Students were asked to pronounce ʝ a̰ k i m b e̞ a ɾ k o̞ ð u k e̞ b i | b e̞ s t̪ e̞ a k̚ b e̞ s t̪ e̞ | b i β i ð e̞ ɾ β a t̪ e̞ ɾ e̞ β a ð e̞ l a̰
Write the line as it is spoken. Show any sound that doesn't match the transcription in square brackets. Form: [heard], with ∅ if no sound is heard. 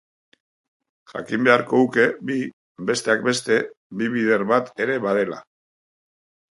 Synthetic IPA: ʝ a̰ k i m b e̞ a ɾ k o̞ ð u k e̞ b i | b e̞ s t̪ e̞ a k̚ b e̞ s t̪ e̞ | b i β i ð e̞ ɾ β a t̪ e̞ ɾ e̞ β a ð e̞ l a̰